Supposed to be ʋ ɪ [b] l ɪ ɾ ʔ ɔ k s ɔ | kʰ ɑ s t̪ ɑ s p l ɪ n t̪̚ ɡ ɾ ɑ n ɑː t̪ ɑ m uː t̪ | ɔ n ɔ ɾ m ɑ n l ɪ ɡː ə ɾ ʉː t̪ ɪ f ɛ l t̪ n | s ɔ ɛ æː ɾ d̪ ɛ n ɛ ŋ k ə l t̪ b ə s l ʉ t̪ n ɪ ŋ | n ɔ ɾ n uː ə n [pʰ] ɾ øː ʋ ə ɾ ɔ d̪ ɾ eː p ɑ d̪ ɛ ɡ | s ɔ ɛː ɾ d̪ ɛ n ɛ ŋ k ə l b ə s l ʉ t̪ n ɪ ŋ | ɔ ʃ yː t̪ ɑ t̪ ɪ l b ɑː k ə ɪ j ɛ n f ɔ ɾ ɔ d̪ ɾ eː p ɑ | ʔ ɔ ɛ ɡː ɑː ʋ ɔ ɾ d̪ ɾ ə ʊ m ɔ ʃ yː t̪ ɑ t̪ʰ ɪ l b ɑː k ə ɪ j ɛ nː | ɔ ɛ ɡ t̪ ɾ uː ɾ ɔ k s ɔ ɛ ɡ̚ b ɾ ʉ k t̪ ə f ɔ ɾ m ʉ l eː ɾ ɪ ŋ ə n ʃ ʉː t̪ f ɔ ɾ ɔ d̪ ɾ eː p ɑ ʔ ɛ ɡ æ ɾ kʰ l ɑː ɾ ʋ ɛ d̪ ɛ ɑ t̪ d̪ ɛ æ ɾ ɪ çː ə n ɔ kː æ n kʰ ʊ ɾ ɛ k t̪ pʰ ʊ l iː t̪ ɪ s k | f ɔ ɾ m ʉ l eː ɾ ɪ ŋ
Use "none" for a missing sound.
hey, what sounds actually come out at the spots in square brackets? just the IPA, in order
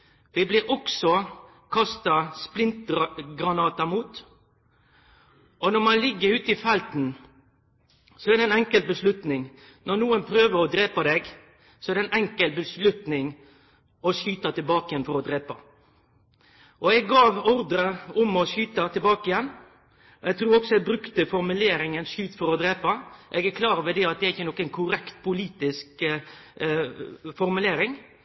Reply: b, pʰ

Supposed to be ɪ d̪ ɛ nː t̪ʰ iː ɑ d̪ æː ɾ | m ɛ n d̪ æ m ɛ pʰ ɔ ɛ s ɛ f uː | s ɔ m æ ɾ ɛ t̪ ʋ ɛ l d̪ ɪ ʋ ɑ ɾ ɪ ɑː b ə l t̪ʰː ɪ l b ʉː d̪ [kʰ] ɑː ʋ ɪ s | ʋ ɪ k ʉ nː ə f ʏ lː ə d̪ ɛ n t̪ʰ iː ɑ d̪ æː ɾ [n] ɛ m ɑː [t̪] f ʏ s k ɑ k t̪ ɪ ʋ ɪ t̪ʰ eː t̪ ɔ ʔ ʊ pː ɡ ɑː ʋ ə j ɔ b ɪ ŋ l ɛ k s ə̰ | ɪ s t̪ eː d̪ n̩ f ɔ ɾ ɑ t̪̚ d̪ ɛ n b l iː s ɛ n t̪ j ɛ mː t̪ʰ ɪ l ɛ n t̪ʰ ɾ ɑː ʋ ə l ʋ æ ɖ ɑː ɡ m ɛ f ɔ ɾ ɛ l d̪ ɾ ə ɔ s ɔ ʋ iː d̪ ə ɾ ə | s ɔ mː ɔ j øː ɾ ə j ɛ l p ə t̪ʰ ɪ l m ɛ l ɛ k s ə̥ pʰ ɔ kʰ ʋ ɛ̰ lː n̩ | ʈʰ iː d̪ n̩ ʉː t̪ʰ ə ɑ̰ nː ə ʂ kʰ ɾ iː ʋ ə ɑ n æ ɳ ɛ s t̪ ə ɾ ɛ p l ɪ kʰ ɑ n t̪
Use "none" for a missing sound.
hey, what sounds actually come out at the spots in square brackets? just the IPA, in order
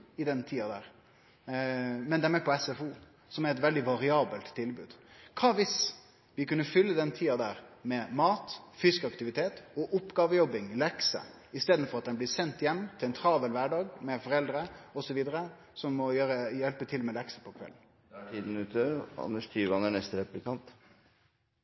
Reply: kʰ, m, t̪

